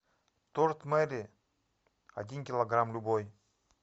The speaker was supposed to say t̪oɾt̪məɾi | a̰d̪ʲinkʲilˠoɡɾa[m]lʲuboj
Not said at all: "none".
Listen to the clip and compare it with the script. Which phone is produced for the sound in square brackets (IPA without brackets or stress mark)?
m